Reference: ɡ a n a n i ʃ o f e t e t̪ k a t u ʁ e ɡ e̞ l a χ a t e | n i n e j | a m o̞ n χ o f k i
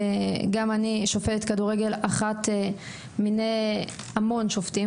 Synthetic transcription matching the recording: ɡ a m a n i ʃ o f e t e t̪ k a d u ʁ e ɡ e̞ l a χ a t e | m i n e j | a m o̞ n ʃ o f t i